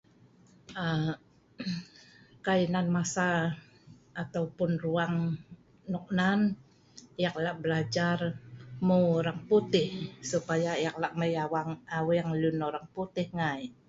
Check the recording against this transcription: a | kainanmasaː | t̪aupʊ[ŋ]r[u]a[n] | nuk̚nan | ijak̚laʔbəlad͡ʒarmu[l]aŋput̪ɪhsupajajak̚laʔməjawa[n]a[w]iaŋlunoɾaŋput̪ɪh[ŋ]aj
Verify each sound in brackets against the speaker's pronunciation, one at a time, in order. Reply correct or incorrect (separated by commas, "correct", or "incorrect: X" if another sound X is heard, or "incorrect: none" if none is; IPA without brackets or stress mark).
incorrect: n, correct, incorrect: ŋ, incorrect: ɾ, incorrect: ŋ, correct, correct